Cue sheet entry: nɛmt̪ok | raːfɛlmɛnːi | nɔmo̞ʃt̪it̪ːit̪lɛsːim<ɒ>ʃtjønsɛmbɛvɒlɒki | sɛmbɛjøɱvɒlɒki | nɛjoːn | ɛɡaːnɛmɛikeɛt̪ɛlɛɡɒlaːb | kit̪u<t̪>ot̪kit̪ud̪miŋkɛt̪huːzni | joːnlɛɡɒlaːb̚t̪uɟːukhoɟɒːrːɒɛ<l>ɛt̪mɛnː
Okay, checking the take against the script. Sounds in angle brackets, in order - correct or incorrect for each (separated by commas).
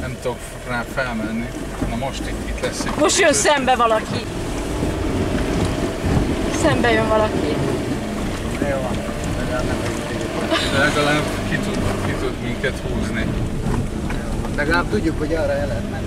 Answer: incorrect, incorrect, correct